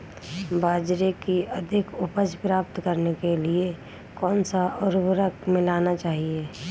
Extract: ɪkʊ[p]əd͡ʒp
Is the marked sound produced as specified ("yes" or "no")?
yes